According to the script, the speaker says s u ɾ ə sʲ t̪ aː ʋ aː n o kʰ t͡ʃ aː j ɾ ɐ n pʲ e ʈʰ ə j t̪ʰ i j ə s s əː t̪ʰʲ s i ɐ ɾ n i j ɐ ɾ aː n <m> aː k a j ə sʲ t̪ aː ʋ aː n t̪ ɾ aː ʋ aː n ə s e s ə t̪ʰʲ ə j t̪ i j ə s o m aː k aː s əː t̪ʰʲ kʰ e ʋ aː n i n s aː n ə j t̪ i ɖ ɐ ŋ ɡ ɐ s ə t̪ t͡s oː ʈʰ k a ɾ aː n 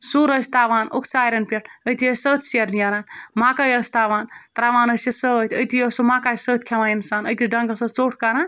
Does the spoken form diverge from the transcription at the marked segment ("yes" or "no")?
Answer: no